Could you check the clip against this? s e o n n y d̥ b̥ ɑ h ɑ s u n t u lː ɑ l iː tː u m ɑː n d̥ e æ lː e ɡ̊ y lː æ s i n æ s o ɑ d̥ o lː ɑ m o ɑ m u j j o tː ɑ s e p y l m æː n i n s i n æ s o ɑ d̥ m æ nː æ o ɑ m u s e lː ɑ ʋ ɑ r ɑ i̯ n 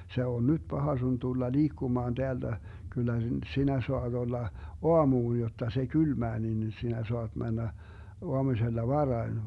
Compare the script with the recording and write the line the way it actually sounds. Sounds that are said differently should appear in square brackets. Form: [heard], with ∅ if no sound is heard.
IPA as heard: s e o n n y d̥ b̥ ɑ h ɑ s u n t u lː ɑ l iː [kː] u m ɑː n d̥ e æ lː [æ] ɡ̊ y lː æ s i n æ s o ɑ d̥ o lː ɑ [∅] o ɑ m [uː] j j o tː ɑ s e [k] y l m æː n i n s i n æ s o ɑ d̥ m æ nː æ o ɑ m u s e lː ɑ ʋ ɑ r ɑ i̯ n